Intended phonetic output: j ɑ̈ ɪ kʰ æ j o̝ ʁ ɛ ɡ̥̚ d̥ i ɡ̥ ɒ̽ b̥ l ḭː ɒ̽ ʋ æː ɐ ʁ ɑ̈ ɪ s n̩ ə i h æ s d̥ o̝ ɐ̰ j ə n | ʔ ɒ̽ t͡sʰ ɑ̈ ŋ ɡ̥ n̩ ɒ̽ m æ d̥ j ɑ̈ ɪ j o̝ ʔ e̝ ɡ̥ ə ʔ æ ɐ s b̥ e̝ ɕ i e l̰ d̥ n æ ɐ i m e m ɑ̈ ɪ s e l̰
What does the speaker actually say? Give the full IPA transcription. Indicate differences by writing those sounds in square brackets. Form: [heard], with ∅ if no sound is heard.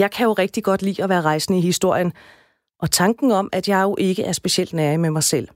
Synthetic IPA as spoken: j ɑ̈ ɪ kʰ æ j o̝ ʁ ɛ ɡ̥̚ d̥ i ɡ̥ ɒ̽ [d̥] l ḭː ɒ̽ ʋ æː ɐ ʁ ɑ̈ ɪ s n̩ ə i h [i] s d̥ o̝ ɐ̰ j ə n | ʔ ɒ̽ t͡sʰ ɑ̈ ŋ ɡ̥ n̩ ɒ̽ m æ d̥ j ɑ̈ ɪ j o̝ ʔ e̝ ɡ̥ ə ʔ æ ɐ s b̥ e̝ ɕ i e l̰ d̥ n æ ɐ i m e m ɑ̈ ɪ s e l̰